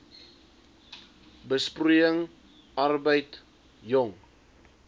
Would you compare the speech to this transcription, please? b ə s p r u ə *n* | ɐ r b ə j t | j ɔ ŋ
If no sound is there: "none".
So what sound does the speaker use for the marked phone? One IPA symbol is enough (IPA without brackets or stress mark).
ŋ